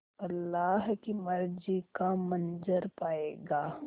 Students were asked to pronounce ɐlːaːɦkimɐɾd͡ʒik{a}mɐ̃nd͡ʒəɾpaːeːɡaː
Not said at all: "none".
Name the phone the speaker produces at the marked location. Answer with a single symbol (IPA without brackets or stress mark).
a